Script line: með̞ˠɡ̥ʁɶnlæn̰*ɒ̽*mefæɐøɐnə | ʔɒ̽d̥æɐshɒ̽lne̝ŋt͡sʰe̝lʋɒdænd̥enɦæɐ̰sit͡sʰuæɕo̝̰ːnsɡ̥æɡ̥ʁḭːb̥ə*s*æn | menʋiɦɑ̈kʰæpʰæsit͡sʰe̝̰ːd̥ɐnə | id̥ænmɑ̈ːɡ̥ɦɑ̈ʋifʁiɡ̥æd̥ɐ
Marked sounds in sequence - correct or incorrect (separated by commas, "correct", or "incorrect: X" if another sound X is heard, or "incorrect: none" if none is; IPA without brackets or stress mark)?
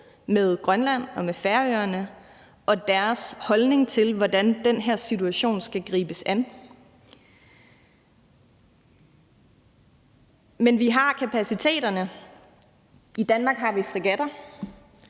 correct, correct